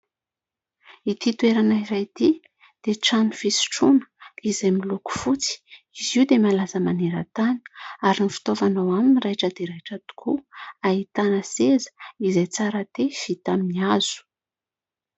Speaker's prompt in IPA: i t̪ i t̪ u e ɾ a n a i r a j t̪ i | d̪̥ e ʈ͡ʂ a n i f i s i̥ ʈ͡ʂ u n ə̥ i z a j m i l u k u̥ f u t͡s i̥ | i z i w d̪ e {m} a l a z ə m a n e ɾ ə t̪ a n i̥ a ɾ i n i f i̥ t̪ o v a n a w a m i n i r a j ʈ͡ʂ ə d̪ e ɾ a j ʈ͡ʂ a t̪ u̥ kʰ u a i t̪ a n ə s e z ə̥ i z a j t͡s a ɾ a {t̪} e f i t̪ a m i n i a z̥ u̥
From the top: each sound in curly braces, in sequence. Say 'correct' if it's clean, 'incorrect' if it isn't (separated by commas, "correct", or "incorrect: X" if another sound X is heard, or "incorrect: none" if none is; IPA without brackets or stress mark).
correct, correct